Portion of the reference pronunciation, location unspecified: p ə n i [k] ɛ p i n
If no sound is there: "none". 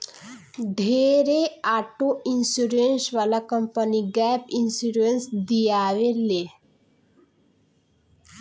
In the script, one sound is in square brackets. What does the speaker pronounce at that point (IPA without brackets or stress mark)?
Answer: ɡ